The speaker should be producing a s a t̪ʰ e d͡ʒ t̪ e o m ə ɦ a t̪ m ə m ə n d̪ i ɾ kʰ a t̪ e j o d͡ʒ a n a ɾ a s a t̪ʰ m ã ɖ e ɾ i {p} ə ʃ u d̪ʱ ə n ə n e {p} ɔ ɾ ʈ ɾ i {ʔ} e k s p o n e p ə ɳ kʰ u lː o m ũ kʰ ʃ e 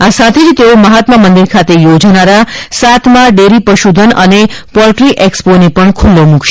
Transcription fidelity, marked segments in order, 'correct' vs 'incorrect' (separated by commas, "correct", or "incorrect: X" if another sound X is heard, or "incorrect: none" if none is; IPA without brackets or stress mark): correct, correct, correct